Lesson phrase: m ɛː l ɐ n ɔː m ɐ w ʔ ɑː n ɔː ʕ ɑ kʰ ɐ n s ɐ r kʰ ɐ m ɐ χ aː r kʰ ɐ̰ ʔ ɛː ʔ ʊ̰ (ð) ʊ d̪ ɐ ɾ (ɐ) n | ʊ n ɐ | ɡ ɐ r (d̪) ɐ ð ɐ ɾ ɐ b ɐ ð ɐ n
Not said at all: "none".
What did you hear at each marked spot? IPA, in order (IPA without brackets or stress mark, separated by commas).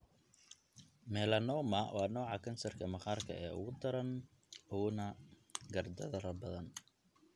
ɣ, ɐ, d̪